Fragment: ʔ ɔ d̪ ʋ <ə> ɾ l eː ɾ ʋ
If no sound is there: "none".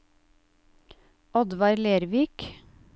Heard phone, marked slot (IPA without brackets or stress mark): ɑ